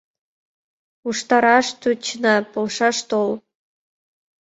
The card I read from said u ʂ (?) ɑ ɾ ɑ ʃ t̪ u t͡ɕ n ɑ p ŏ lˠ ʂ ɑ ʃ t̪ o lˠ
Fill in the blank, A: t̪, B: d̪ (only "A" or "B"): A